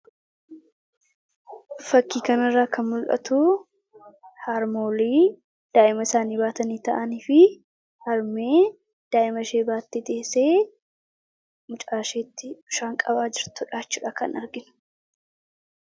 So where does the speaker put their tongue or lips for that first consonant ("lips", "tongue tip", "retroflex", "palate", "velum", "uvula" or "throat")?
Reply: lips